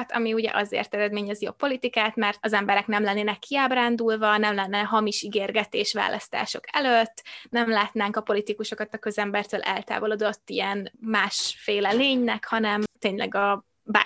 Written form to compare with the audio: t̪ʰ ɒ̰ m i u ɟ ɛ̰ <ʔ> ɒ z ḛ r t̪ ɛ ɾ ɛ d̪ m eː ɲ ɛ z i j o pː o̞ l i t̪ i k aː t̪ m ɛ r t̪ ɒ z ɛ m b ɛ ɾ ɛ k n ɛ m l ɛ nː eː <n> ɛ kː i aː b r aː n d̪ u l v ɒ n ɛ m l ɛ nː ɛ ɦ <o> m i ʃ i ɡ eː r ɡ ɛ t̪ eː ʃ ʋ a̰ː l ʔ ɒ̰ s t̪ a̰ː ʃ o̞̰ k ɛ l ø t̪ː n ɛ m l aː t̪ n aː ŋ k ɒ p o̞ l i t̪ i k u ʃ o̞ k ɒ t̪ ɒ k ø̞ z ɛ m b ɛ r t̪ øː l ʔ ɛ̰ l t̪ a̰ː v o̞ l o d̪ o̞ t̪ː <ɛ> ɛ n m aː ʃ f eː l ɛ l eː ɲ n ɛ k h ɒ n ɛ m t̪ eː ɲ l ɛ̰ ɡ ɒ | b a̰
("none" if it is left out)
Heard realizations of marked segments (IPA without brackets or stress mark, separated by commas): ʔ, n, ɒ, i